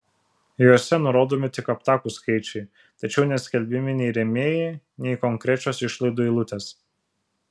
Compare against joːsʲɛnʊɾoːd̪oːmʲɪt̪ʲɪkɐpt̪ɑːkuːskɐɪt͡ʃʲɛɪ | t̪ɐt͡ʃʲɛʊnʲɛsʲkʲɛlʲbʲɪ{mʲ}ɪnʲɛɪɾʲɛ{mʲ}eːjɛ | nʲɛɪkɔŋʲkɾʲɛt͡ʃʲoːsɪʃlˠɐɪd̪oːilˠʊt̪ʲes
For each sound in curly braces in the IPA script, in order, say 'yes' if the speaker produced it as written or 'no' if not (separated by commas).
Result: yes, yes